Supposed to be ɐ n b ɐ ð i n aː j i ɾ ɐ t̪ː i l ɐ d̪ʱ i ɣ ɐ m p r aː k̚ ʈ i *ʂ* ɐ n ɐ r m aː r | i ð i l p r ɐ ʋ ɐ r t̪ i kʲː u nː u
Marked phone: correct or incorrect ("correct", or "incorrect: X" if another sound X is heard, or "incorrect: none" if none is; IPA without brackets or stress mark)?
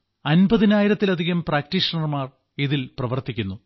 correct